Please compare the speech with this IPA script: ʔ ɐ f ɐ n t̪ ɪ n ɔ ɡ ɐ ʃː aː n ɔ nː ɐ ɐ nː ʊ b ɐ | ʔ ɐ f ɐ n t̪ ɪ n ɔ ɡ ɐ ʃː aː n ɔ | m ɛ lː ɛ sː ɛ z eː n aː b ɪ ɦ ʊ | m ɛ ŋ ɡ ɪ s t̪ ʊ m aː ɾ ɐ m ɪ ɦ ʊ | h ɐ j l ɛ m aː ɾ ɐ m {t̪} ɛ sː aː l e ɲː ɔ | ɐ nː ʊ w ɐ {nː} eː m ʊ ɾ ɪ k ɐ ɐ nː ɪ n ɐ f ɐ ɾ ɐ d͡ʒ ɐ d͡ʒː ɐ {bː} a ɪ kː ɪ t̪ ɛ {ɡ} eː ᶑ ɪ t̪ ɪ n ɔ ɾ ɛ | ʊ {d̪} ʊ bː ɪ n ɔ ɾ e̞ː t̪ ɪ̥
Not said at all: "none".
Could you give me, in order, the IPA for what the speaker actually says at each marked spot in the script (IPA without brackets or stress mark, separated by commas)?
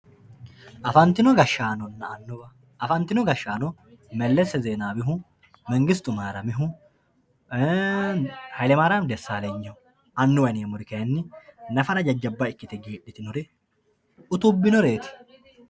d̪, n, bː, ɡ, t̪